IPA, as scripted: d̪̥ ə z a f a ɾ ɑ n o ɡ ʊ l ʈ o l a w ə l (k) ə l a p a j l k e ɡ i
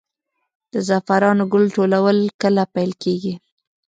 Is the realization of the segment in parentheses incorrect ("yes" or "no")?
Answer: no